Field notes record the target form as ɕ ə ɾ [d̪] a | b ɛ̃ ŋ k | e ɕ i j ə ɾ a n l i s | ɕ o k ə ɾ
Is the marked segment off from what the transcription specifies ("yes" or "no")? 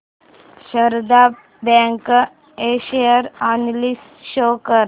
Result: no